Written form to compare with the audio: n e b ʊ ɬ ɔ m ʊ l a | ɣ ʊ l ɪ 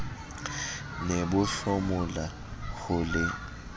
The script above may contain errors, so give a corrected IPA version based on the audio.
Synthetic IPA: n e b ʊ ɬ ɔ m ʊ l a | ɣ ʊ l ɪ